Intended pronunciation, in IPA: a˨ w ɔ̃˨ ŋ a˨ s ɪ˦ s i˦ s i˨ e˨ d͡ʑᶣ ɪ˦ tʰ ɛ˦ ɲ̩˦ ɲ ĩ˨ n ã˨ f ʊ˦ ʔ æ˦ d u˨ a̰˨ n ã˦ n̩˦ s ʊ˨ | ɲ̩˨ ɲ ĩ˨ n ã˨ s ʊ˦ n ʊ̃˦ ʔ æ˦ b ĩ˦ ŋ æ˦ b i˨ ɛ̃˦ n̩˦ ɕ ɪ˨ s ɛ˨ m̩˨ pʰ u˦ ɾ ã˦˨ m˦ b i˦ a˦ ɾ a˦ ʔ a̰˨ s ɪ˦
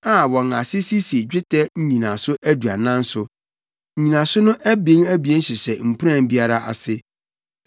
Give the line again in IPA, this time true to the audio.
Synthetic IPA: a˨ w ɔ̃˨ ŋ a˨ s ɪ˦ s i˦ s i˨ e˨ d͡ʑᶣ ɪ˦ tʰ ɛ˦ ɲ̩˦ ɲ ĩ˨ n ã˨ s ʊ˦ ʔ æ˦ d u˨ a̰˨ n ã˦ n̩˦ s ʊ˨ | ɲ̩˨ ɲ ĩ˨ n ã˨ s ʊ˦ n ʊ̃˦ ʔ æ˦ b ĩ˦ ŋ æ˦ b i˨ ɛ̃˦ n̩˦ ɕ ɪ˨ s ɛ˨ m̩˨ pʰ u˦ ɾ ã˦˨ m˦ b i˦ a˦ ɾ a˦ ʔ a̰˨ s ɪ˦